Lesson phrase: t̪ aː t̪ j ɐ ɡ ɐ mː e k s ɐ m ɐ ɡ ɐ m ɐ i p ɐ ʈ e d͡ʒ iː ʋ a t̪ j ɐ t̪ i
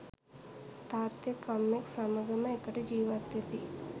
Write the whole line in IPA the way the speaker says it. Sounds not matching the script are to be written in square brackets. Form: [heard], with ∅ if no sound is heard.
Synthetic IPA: t̪ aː t̪ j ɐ [k] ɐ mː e k s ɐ m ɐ ɡ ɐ m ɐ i [k] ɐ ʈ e d͡ʒ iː ʋ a t̪ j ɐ t̪ i

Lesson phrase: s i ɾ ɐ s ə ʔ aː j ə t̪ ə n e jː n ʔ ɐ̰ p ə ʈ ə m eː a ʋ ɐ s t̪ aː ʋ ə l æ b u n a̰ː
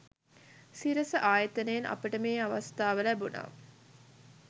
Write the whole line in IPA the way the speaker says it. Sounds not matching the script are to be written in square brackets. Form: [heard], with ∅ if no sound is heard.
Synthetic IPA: s i ɾ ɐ s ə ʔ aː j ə t̪ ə n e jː n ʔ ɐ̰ p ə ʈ ə m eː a ʋ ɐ s t̪ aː ʋ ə l æ b u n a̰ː

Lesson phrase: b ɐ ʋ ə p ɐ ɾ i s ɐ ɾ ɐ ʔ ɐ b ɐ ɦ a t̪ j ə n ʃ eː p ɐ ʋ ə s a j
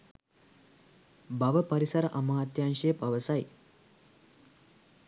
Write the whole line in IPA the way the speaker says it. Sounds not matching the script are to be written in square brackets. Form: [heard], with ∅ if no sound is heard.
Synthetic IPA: b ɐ ʋ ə p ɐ ɾ i s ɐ ɾ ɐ ʔ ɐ [m] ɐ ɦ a t̪ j [a] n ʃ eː p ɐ ʋ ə s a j

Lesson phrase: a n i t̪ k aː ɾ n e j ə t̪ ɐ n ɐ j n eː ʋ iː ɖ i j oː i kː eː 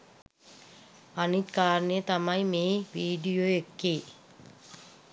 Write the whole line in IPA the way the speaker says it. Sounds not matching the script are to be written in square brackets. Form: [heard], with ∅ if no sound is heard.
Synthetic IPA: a n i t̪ k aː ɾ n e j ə t̪ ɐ [m] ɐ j [m] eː ʋ iː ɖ i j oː [e] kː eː

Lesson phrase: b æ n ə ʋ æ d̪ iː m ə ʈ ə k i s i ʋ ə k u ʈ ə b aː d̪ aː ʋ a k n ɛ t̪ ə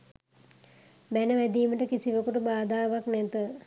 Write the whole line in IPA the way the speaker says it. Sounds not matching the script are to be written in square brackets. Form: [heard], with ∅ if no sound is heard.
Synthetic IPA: b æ n ə ʋ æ d̪ iː m ə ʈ ə k i s i ʋ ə k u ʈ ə b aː d̪ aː ʋ a k n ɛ t̪ ə

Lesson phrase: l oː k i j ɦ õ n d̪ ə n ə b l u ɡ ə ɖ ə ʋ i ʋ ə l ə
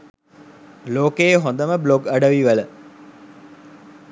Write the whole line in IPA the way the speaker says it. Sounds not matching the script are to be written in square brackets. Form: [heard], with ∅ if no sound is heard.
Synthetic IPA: l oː k [e] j ɦ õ n d̪ ə [m] ə b l [o] ɡ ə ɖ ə ʋ i ʋ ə l ə

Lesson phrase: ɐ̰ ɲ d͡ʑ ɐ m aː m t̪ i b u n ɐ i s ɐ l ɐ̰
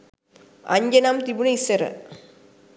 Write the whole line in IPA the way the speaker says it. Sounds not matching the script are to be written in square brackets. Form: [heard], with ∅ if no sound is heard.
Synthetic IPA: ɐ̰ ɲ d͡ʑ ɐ [n] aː m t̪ i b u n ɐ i s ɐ [ɾ] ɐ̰

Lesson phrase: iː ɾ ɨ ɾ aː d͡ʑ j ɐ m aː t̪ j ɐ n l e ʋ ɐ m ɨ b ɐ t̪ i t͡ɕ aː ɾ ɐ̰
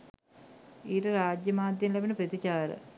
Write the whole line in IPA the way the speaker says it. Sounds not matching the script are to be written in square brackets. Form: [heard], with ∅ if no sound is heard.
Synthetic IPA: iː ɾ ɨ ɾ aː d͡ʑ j ɐ m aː [d̪] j ɐ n l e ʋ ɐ [n] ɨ [p] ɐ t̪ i t͡ɕ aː ɾ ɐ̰

